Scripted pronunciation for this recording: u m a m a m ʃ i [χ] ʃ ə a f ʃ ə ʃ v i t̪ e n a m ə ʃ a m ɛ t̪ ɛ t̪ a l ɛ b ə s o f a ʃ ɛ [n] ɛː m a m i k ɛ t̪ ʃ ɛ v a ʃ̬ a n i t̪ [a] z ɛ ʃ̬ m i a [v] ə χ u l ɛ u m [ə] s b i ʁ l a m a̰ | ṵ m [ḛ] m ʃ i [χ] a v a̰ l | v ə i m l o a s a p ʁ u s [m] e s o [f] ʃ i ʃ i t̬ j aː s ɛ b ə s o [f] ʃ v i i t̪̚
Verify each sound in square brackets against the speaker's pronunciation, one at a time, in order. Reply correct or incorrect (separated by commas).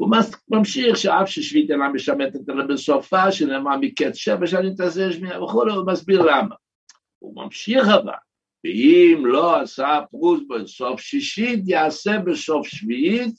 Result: correct, correct, correct, correct, incorrect, incorrect, correct, incorrect, correct, correct